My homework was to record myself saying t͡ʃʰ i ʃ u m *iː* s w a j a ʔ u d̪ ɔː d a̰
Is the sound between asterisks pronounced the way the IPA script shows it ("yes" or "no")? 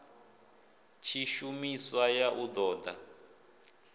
no